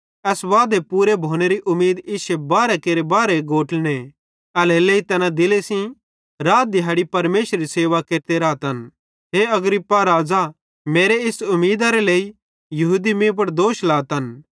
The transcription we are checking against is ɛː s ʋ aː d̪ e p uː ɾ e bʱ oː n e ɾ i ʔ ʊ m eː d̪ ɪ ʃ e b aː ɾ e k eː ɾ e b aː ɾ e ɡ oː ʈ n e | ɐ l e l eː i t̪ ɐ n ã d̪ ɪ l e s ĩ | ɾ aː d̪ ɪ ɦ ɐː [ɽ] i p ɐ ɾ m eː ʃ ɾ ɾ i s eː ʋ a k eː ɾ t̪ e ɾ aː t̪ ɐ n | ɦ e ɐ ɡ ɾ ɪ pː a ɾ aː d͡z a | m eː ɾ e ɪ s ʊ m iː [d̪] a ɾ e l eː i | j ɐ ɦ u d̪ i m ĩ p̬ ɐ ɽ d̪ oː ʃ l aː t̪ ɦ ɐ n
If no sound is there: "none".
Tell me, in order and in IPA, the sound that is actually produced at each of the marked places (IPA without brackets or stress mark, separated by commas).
ɽ, d̪